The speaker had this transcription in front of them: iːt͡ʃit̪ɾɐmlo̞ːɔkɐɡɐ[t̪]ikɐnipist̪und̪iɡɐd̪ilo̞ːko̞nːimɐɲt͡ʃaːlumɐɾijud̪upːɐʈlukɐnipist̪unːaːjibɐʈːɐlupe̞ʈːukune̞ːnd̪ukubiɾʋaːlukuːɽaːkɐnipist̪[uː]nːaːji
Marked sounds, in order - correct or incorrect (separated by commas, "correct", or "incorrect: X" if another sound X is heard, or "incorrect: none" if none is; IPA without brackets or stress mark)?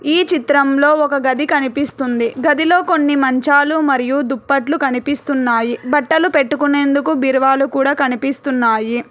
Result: incorrect: d̪, incorrect: u